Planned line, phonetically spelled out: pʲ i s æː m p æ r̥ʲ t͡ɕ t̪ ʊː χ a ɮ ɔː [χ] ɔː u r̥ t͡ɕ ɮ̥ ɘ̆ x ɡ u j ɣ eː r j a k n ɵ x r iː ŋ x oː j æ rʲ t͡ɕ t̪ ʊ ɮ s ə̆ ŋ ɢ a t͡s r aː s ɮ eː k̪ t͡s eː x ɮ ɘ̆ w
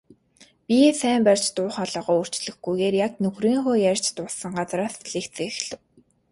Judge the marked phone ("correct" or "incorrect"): incorrect